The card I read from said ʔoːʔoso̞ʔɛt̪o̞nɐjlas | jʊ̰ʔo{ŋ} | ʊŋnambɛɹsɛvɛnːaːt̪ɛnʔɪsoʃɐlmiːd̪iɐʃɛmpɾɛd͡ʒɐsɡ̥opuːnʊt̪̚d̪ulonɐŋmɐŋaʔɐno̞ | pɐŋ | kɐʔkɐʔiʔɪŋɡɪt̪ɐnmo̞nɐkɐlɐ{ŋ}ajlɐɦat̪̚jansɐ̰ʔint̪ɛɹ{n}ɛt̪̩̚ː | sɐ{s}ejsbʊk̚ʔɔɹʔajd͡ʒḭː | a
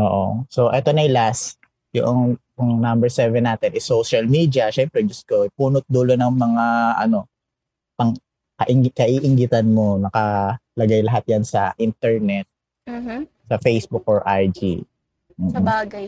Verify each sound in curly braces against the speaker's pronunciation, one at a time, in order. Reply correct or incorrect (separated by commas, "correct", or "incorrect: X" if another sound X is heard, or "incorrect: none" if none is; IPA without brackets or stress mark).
correct, incorrect: ɡ, correct, incorrect: f